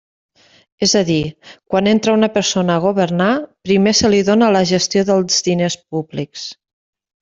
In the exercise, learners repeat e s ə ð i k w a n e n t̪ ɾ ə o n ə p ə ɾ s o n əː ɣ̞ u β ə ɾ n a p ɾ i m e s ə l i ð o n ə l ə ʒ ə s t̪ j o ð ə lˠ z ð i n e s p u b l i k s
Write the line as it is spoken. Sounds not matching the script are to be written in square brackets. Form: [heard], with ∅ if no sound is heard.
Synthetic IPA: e [z] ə ð i k w a n e n t̪ ɾ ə [u] n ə p ə ɾ s o n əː ɣ̞ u β ə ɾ n a p ɾ i m e s ə l i ð o n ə l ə ʒ ə s t̪ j o ð ə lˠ z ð i n e s p u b l i k s